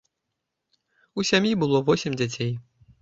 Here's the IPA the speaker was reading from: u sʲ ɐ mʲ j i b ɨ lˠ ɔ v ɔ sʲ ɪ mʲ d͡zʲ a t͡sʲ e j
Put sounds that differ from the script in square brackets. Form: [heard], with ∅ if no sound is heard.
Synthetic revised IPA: u sʲ [a] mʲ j i b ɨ lˠ ɔ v ɔ sʲ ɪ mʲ d͡zʲ a t͡sʲ e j